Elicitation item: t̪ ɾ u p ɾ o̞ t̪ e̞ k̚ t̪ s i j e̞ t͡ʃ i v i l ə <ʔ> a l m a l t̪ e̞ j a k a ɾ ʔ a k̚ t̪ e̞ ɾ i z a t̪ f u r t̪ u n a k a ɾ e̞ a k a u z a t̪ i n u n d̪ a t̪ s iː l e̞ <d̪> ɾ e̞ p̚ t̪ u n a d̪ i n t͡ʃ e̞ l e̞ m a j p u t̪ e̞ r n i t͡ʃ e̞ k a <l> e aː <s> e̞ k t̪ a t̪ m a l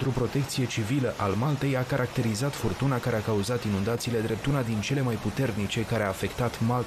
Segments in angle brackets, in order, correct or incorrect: correct, correct, incorrect: ɾ, incorrect: f

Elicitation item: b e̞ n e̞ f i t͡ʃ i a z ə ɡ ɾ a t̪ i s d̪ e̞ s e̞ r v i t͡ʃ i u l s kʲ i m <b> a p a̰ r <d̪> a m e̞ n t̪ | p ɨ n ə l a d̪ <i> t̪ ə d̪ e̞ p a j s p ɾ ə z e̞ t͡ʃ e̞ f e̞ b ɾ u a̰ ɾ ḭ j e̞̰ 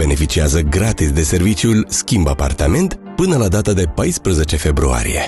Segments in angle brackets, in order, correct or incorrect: correct, incorrect: t̪, incorrect: a

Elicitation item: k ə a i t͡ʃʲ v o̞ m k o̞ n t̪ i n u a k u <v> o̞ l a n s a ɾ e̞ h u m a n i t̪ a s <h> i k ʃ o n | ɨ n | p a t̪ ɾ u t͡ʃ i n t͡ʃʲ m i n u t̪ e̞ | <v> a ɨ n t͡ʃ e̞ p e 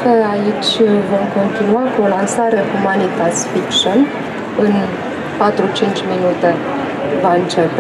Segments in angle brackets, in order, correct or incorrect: incorrect: none, incorrect: f, correct

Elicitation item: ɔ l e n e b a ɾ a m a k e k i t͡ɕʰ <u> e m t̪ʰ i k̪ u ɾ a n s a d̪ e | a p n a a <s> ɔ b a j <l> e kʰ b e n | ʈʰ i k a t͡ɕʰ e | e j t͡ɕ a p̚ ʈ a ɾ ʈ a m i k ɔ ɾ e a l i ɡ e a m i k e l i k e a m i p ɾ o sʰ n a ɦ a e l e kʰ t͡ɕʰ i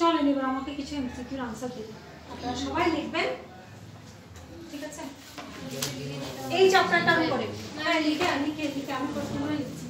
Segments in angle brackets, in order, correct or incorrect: correct, incorrect: ʃ, correct

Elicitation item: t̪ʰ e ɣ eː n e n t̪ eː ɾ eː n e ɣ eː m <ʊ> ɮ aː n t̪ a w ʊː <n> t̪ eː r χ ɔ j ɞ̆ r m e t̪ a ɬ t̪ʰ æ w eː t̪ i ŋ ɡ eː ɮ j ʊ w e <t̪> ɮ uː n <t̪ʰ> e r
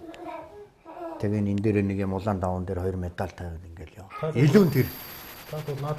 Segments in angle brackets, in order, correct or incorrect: correct, correct, incorrect: none, correct

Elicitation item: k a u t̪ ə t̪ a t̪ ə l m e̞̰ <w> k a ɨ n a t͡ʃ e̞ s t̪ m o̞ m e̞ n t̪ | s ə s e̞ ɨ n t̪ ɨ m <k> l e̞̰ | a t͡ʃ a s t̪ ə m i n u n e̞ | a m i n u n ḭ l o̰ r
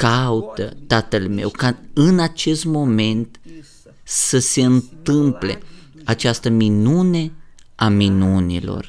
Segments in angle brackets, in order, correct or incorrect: correct, incorrect: p

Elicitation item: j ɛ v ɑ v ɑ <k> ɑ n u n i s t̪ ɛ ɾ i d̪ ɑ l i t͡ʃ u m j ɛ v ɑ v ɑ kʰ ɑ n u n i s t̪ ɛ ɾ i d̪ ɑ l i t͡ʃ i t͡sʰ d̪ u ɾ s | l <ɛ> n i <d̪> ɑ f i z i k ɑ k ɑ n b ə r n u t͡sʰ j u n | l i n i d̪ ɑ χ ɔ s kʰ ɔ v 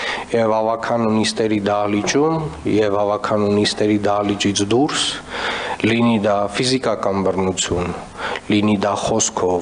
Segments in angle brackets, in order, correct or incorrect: incorrect: kʰ, incorrect: i, correct

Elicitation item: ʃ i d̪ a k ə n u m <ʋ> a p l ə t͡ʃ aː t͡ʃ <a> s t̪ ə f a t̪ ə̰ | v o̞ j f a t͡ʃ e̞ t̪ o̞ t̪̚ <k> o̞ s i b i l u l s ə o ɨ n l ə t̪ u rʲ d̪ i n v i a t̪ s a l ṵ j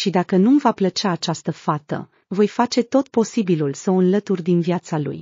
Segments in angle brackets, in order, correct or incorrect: incorrect: v, correct, incorrect: p

